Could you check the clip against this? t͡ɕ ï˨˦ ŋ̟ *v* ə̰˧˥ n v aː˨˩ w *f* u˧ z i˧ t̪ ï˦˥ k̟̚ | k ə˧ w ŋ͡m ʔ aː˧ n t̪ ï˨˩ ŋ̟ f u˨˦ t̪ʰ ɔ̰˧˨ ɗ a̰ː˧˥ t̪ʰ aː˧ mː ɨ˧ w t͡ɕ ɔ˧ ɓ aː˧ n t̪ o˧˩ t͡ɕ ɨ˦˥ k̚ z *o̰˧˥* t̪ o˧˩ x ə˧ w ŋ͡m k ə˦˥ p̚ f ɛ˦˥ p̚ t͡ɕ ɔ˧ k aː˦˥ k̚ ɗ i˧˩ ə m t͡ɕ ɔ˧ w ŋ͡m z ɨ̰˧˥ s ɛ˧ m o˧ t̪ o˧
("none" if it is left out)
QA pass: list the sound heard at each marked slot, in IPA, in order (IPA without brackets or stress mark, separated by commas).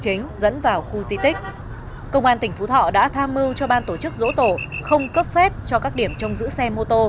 z, x, o̰˧˥